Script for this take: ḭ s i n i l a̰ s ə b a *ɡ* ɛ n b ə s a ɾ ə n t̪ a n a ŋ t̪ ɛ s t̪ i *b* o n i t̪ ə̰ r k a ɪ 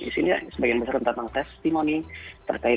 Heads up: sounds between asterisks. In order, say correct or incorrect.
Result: correct, incorrect: m

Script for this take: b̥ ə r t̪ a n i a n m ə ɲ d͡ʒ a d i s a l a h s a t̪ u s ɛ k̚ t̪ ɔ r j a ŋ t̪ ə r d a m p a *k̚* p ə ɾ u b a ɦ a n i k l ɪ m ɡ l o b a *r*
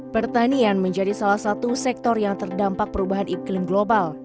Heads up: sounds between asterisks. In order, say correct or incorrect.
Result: correct, incorrect: l

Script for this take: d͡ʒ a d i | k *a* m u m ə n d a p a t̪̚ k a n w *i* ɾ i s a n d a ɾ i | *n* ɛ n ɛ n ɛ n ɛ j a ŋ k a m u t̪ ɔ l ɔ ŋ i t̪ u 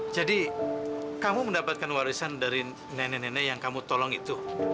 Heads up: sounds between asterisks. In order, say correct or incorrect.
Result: correct, incorrect: a, correct

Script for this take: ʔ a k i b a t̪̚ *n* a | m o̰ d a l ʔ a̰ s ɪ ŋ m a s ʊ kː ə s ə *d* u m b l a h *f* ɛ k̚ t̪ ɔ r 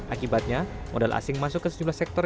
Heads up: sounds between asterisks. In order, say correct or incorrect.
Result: incorrect: ɲ, incorrect: d͡ʒ, incorrect: s

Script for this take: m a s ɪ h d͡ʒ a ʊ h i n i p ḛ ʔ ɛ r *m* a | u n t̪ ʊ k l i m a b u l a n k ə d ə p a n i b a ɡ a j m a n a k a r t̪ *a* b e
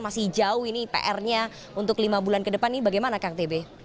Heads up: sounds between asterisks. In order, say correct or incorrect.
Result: incorrect: ɲ, incorrect: e

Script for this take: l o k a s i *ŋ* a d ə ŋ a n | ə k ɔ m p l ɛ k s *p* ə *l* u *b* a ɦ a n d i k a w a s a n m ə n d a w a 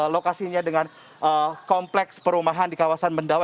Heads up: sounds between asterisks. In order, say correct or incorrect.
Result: incorrect: ɲ, correct, incorrect: ɾ, incorrect: m

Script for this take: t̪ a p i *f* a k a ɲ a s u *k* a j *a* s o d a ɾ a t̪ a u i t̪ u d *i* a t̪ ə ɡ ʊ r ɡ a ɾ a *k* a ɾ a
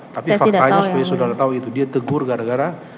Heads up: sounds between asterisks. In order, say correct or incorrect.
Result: correct, incorrect: p, correct, correct, incorrect: ɡ

